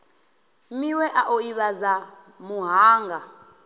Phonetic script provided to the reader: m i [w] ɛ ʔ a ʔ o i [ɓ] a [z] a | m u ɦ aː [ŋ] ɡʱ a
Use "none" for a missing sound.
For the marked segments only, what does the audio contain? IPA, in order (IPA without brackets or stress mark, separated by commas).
w, ɓ, z, ŋ